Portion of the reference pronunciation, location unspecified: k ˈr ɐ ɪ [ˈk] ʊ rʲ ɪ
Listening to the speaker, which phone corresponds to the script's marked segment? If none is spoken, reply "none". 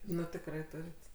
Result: t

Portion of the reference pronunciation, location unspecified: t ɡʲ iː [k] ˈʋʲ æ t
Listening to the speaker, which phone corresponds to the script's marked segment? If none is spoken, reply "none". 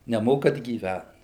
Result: none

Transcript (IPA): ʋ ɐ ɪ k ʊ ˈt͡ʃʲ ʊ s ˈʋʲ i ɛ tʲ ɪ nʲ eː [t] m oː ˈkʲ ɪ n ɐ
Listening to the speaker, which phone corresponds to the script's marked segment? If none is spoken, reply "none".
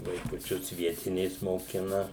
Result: s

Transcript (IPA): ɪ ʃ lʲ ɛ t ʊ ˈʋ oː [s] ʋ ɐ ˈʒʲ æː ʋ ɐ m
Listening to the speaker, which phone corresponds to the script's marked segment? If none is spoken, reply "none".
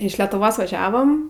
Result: s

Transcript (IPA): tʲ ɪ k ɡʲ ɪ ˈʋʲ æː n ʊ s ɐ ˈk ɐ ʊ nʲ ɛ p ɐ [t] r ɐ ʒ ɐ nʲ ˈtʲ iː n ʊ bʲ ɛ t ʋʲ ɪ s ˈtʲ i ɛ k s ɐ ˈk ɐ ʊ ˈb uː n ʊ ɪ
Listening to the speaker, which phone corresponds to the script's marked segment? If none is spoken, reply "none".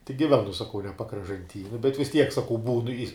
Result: k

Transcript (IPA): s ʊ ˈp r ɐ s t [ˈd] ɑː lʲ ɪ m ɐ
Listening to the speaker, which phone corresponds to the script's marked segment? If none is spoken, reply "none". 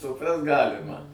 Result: ɡ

